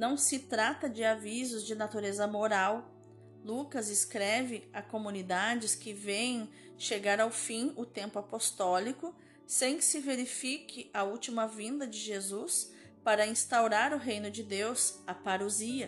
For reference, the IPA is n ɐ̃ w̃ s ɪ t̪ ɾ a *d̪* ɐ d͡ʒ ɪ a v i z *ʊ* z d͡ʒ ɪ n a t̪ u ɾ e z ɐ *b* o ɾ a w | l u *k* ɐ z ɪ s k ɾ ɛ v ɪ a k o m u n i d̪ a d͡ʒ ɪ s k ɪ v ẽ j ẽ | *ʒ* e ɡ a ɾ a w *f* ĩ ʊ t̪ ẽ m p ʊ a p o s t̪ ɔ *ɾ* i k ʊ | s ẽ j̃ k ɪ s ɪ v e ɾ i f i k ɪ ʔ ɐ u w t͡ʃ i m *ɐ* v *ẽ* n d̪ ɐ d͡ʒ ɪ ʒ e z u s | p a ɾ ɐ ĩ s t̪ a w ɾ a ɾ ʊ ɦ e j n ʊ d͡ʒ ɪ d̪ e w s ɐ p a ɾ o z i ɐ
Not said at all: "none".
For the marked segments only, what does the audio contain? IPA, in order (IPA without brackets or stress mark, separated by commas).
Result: t̪, ʊ, m, k, ʃ, f, l, ɐ, ĩ